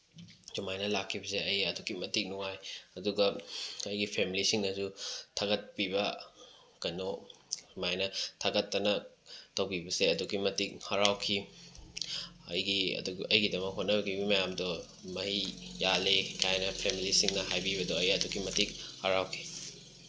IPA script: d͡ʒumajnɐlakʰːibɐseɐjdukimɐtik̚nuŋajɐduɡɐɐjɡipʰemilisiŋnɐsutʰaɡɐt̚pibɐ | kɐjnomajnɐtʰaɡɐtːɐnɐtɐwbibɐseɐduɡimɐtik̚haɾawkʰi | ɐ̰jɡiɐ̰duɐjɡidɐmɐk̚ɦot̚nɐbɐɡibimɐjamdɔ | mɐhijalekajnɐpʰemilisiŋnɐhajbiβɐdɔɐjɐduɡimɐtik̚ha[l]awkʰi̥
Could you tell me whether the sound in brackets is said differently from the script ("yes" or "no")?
yes